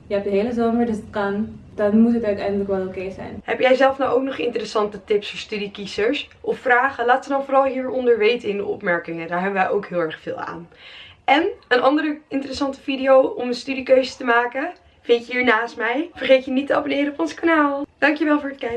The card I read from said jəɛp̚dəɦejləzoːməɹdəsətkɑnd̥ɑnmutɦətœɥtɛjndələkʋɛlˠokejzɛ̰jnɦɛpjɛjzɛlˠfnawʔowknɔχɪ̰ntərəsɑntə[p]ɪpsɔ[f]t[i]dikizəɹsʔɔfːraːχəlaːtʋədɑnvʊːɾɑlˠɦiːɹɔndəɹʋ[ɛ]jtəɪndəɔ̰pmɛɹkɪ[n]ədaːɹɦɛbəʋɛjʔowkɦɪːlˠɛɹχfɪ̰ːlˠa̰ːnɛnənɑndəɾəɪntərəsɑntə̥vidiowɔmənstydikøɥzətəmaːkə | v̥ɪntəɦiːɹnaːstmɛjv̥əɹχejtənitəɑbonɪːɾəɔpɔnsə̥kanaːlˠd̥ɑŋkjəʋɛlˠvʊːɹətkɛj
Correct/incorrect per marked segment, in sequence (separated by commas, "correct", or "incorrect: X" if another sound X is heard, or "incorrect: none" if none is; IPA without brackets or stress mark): incorrect: t, incorrect: s, incorrect: y, incorrect: e, incorrect: ŋ